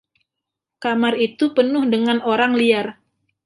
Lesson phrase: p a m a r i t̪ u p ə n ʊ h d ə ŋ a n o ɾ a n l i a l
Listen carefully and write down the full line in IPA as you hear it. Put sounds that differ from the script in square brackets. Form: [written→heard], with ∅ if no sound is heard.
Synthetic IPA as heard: [p→k] a m a r i t̪ u p ə n ʊ h d ə ŋ a n o ɾ a [n→ŋ] l i a [l→r]